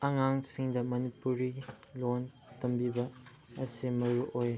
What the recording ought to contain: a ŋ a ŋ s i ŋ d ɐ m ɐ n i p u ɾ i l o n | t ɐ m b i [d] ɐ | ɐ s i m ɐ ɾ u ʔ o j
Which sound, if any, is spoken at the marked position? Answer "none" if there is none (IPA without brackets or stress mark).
b